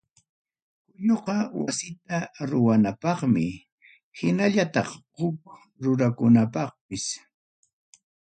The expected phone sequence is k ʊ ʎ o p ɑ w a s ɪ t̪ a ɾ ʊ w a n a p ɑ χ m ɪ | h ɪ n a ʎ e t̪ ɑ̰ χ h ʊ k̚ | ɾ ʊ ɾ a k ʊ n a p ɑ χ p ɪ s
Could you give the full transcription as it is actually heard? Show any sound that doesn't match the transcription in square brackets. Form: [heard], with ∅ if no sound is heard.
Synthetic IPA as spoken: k ʊ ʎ o [q] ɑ w a s ɪ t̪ a ɾ ʊ w a n a p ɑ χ m ɪ | h ɪ n a ʎ [a] t̪ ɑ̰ χ h ʊ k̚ | ɾ ʊ ɾ a k ʊ n a p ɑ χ p ɪ s